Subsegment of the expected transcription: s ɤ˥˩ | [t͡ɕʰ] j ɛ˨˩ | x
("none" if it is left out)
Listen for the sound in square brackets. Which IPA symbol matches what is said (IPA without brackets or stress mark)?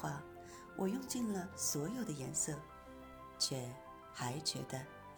t͡ɕʰ